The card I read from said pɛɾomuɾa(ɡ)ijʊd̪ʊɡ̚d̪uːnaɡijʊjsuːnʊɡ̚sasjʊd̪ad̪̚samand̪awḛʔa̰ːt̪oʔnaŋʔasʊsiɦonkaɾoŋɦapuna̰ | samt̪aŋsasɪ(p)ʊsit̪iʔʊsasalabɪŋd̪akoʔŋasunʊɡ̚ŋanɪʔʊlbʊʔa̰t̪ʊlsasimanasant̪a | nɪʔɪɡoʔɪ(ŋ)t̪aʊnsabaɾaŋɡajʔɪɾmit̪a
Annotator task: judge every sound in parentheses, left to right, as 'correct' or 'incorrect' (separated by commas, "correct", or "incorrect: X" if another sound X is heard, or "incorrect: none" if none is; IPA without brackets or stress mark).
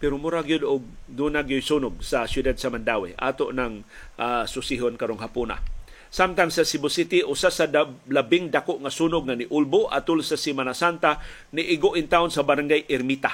correct, incorrect: b, incorrect: n